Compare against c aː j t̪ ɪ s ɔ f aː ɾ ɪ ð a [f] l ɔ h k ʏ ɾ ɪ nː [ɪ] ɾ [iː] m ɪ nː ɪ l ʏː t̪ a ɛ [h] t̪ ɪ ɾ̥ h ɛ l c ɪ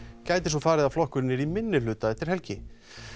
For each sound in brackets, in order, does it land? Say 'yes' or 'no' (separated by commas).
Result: yes, yes, no, yes